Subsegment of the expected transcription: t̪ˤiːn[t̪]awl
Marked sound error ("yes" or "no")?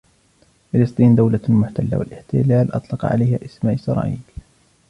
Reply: yes